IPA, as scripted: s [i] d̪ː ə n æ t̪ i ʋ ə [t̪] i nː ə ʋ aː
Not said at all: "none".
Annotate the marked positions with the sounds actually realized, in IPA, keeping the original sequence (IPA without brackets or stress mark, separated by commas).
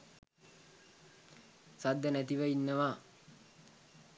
a, none